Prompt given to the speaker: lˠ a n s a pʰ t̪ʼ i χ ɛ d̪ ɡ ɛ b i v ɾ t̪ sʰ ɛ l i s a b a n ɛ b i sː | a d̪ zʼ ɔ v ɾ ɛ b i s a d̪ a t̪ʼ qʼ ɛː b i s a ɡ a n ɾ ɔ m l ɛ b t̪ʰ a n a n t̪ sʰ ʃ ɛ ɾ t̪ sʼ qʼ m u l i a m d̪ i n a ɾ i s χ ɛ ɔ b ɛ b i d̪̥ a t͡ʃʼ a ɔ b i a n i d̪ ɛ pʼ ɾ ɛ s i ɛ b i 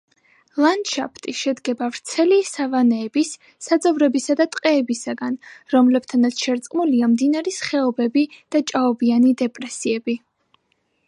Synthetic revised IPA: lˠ a n ʃ a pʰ t̪ʼ i ʃ ɛ d̪ ɡ ɛ b a v ɾ t̪ sʰ ɛ l i s a v a n ɛː b i sː | a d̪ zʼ ɔ v ɾ ɛ b i s a d̪ a t̪ʼ qʼ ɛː b i s a ɡ a n ɾ ɔ m l ɛ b t̪ʰ a n a t̪ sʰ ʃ ɛ ɾ t̪ sʼ qʼ m u l i a m d̪ i n a ɾ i s χ ɛ ɔ b ɛ b i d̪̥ a t͡ʃʼ a ɔ b i a n i d̪ ɛ pʼ ɾ ɛ s i ɛ b i